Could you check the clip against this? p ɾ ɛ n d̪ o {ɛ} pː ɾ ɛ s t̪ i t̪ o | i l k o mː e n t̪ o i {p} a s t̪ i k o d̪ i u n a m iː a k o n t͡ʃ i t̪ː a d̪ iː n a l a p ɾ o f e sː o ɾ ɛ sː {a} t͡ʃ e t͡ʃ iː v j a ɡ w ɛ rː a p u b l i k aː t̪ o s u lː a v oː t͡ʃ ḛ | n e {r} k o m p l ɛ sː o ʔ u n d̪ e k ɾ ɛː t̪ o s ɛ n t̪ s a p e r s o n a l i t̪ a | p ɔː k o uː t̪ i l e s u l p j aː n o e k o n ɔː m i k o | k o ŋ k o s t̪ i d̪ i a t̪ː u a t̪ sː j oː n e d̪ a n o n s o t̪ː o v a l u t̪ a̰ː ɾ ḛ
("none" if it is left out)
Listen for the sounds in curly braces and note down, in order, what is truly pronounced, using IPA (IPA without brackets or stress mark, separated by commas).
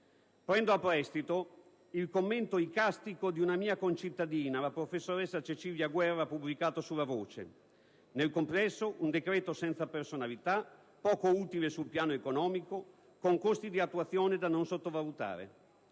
a, k, a, l